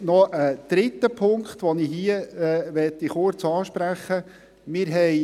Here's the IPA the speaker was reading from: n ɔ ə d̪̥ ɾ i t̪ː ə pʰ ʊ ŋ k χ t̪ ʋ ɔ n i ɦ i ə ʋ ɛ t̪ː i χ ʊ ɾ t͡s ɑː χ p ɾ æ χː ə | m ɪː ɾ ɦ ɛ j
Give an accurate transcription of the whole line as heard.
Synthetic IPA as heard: n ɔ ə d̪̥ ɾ ɪ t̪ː ə pʰ ʊ ŋ k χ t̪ ʋ ɔ n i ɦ i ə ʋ ɛ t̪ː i χ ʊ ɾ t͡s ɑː ʃ p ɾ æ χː ə | m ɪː ɾ ɦ ɛ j